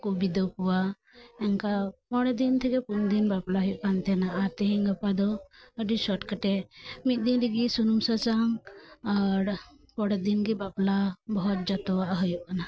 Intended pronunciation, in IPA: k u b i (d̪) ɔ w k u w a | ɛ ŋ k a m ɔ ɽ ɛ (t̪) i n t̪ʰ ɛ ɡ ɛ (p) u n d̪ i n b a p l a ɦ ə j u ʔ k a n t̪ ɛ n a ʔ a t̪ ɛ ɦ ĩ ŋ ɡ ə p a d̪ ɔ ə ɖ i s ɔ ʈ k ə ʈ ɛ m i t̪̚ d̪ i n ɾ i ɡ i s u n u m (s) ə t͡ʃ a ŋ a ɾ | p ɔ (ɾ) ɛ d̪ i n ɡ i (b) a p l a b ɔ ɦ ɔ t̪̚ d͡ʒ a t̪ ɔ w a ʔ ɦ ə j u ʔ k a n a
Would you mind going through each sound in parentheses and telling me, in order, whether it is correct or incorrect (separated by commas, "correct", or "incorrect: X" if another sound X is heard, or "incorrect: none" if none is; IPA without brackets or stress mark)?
correct, incorrect: d̪, correct, correct, incorrect: ɽ, correct